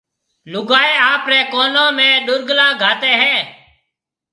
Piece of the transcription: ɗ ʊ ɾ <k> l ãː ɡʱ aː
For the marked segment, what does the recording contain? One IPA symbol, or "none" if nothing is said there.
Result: ɡ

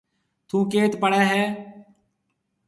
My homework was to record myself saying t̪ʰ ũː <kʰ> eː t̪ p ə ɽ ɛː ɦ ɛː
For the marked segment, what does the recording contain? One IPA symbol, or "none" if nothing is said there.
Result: k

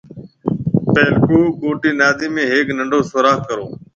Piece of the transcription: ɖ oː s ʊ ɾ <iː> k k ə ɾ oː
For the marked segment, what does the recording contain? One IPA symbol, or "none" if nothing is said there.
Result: aː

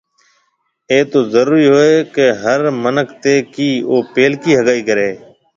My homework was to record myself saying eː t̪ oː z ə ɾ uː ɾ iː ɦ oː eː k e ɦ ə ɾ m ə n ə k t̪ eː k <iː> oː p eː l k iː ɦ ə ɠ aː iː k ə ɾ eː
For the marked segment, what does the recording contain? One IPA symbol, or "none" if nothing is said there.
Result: iː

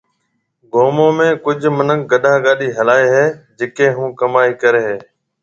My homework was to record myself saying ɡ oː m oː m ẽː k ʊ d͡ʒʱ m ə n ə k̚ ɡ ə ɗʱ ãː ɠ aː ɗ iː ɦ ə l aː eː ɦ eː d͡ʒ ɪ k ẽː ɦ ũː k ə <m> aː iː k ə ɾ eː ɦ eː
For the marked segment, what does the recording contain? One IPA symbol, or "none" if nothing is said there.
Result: m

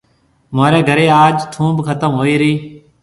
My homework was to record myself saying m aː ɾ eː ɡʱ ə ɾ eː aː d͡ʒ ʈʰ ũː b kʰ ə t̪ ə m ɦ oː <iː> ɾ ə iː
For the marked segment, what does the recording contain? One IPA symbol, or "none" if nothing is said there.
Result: iː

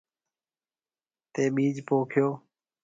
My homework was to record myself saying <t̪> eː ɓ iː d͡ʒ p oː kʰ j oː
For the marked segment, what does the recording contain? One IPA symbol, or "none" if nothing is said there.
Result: t̪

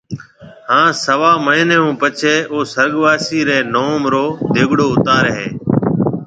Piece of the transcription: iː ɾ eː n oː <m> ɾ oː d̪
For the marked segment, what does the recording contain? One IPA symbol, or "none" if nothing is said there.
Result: m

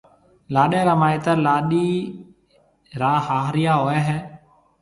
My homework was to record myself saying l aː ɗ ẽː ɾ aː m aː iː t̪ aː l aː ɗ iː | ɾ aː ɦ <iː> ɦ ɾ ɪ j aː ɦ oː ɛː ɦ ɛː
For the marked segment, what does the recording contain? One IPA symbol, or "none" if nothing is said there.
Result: aː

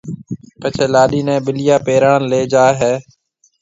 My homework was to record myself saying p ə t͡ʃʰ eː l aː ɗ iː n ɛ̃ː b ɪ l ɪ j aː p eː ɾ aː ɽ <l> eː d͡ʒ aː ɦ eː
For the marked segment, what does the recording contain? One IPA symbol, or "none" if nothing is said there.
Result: l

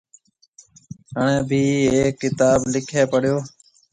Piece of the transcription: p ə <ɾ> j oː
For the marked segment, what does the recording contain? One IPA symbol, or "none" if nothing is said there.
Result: ɽ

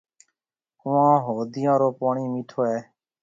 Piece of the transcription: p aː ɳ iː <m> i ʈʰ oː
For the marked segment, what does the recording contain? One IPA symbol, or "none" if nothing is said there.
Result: m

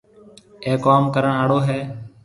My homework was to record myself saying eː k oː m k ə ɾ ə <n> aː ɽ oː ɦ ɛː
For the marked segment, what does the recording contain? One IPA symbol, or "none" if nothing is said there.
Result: ɳ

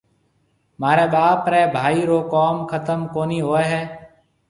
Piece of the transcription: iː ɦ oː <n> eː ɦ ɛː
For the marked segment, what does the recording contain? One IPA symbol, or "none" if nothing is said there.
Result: none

